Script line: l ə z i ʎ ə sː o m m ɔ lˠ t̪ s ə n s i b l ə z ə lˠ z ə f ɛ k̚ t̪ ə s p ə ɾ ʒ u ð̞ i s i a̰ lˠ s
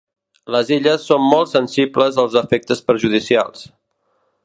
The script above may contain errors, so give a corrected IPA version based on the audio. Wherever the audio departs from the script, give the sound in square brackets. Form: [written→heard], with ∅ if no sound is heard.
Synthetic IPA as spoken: l ə z i ʎ ə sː o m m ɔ lˠ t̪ s ə n s i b l ə z ə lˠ z ə f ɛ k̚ t̪ ə s p ə ɾ ʒ u ð̞ i s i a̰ lˠ s